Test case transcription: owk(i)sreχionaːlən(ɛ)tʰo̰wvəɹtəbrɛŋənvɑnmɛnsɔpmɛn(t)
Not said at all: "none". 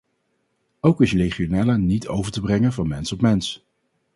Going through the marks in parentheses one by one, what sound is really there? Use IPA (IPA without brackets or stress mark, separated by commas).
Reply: ɪ, i, s